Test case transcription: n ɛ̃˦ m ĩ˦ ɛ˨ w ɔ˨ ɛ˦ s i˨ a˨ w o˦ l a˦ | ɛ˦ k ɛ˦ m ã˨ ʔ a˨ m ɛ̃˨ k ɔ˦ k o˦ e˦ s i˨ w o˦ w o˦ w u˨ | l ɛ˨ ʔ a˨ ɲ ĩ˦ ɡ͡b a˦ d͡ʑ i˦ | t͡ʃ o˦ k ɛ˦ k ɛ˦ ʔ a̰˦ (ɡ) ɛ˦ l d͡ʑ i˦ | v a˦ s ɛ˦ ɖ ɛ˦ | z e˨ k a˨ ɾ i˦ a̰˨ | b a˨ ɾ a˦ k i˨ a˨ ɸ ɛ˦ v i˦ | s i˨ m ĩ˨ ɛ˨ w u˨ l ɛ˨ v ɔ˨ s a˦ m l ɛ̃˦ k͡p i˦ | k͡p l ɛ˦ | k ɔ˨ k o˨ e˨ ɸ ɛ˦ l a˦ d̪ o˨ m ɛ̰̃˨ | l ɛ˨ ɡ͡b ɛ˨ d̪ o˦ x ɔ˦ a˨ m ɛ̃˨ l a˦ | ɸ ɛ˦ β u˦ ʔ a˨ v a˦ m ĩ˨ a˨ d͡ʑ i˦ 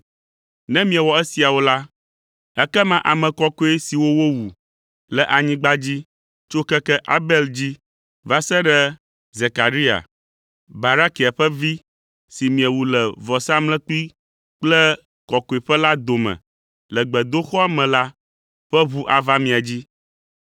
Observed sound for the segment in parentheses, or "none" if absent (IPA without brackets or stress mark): b